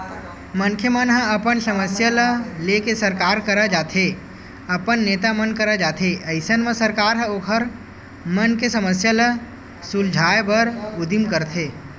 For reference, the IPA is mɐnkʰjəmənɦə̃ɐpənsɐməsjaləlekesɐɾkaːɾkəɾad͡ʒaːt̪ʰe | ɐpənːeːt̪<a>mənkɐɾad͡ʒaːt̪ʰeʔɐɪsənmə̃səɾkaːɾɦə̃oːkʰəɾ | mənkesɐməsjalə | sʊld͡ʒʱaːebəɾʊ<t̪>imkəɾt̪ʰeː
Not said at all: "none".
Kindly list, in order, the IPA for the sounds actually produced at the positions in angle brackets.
a, d̪

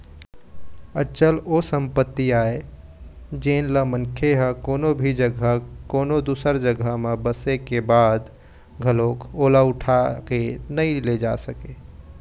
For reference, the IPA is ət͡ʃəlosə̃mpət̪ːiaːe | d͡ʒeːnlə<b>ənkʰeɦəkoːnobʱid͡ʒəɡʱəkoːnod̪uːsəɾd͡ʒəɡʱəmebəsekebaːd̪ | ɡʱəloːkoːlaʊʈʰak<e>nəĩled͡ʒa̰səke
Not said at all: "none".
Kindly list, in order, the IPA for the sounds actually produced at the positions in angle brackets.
m, e

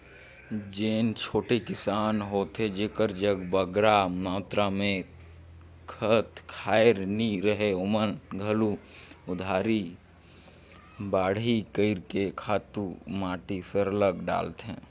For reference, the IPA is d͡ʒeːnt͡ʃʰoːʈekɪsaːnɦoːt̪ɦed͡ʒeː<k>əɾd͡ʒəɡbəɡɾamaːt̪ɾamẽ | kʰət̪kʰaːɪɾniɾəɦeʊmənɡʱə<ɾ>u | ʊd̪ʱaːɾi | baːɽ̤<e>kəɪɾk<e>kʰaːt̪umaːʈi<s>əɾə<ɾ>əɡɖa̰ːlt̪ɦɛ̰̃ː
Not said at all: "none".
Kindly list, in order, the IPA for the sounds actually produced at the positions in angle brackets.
k, l, i, e, s, l

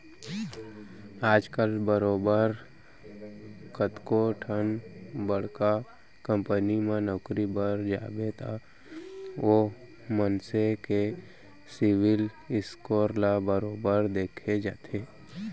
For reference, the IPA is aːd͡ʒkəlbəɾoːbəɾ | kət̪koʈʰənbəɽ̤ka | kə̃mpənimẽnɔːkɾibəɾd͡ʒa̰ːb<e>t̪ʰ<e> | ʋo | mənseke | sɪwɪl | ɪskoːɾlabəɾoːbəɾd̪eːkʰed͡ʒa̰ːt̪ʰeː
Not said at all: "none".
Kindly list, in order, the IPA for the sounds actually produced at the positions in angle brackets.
e, a

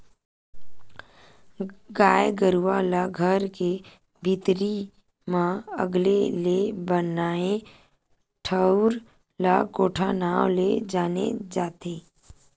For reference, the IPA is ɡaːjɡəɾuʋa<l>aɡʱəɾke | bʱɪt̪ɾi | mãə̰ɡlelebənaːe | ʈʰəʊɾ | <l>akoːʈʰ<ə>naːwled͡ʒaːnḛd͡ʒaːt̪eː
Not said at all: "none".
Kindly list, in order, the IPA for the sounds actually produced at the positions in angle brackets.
l, l, a

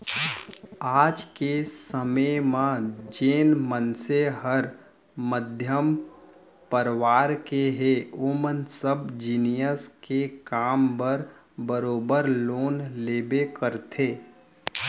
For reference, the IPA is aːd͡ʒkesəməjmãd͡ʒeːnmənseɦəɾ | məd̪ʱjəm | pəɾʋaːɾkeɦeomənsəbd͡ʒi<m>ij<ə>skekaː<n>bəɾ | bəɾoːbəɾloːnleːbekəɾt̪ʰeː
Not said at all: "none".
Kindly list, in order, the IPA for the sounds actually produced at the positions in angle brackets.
n, ə, m

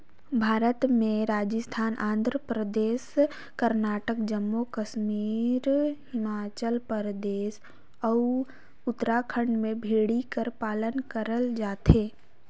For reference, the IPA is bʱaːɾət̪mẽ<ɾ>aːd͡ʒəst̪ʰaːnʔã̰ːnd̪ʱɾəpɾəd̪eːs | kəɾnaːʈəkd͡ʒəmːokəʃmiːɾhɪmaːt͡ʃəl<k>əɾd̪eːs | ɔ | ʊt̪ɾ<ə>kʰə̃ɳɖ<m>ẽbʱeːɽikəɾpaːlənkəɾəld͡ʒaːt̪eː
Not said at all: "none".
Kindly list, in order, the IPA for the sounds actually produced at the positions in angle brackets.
ɾ, p, a, m

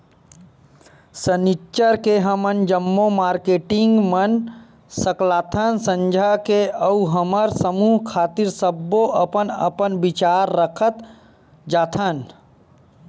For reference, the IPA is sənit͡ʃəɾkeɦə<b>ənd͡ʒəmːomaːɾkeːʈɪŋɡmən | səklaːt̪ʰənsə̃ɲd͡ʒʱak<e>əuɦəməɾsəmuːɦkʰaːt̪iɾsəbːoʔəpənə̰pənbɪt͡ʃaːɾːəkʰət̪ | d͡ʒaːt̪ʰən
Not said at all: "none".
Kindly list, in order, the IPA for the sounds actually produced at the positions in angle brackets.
m, e

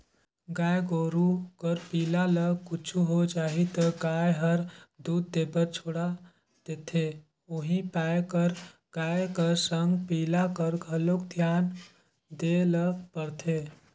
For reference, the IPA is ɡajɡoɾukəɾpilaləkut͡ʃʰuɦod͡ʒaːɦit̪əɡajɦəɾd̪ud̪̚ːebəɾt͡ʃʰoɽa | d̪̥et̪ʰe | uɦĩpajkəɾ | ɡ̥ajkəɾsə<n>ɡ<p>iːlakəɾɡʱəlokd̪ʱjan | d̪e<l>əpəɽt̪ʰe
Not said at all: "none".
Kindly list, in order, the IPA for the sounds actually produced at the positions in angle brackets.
ŋ, p, l

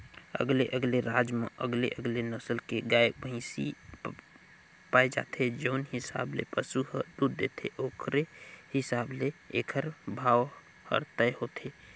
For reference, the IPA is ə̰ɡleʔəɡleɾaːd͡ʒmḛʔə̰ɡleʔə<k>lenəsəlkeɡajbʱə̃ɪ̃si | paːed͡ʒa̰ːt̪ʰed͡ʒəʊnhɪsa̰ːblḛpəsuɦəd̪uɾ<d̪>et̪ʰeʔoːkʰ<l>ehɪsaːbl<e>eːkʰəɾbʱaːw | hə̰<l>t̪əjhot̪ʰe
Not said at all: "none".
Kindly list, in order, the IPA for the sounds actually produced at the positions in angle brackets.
ɡ, d̪, ɾ, e, ɾ

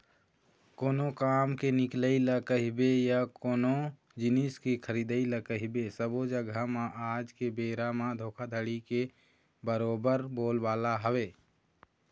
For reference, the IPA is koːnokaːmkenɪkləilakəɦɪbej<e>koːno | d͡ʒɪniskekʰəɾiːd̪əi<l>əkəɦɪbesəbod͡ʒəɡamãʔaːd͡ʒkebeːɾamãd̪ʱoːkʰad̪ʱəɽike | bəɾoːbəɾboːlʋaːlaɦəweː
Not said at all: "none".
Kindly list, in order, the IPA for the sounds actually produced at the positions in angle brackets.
a, l

